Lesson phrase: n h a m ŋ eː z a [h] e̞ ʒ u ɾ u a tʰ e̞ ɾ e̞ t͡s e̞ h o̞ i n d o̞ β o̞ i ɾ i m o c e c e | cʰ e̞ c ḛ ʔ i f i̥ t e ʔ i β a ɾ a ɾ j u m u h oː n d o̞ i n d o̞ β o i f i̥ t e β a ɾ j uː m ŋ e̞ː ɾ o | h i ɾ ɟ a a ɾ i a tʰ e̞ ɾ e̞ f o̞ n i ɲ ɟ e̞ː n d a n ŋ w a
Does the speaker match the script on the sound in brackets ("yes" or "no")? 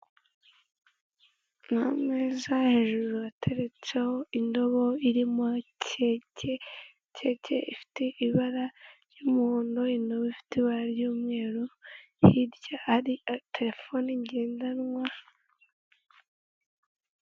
yes